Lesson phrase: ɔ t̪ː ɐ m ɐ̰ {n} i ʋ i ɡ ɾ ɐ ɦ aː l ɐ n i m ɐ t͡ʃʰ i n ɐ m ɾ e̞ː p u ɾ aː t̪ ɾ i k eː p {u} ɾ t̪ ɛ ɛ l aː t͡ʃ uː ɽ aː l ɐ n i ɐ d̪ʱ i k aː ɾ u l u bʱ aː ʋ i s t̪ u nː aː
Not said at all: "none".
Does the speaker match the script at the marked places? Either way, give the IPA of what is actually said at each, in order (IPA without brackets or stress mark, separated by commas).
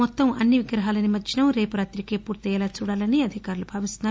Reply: nː, uː